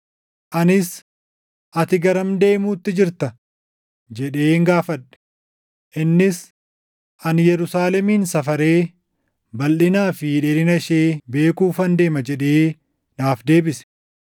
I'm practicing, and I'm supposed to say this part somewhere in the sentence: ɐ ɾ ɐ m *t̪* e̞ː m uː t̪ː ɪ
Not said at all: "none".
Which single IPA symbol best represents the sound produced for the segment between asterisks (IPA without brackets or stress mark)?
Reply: d̪